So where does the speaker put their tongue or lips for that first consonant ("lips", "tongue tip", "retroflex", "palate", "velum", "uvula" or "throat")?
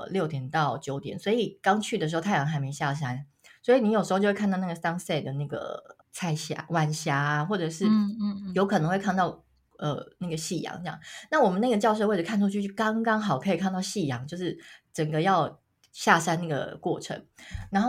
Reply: tongue tip